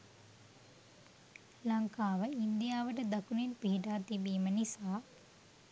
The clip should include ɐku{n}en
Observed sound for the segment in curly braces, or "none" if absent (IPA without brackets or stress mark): n